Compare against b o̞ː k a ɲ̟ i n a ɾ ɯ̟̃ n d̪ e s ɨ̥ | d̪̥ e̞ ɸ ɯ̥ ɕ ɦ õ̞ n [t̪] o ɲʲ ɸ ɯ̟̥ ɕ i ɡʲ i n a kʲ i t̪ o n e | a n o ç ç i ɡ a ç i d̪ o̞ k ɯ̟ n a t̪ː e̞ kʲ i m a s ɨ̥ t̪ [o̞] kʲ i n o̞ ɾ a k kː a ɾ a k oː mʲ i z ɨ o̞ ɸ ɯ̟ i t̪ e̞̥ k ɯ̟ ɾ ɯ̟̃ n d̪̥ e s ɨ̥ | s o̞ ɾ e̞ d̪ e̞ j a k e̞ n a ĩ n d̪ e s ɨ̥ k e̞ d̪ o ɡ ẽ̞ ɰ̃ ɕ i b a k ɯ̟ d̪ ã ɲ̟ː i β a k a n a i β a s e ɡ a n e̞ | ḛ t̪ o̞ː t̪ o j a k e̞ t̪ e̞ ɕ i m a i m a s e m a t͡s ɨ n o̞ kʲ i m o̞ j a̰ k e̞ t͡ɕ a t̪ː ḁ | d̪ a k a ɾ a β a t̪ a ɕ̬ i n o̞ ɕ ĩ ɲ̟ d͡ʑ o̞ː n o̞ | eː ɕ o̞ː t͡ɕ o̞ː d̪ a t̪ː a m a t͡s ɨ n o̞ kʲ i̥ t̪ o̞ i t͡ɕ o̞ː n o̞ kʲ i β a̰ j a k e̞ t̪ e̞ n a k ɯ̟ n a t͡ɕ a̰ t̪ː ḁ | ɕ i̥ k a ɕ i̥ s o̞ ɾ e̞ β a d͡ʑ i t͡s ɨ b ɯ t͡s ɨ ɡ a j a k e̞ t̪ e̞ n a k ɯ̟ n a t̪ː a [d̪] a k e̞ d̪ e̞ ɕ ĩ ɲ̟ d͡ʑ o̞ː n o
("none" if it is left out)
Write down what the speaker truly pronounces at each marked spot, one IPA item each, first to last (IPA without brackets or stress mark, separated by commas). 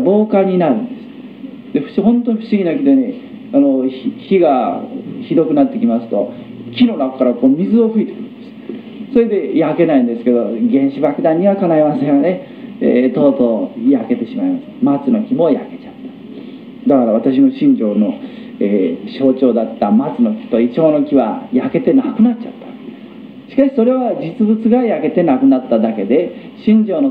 t̪, o̞, d̪